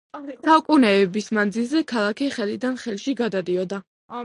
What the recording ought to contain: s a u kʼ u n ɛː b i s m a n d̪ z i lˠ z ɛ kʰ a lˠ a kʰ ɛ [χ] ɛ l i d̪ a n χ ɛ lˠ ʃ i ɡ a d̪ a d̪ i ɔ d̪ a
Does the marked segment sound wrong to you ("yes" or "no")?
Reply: no